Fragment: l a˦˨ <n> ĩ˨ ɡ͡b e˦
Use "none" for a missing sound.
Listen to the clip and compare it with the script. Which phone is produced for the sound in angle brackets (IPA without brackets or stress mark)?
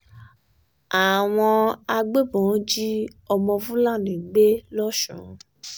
n